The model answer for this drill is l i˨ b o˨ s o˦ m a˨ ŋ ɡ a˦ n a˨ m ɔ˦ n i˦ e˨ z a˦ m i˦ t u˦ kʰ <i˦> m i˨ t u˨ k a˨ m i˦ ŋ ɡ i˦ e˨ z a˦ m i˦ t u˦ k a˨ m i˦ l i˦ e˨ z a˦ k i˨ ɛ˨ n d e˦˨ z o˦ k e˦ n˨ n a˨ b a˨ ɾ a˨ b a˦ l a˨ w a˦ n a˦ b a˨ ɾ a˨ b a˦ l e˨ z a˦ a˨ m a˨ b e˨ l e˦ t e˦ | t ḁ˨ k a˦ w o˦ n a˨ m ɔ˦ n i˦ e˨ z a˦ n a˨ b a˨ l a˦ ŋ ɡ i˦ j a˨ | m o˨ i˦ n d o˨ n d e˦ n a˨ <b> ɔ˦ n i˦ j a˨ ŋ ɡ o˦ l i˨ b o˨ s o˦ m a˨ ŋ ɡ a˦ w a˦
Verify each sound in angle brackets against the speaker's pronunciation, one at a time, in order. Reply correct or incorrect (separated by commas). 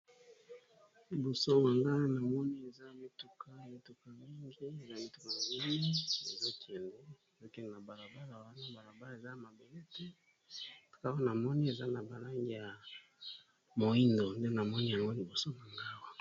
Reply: incorrect, incorrect